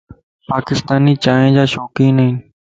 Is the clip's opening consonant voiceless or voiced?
voiceless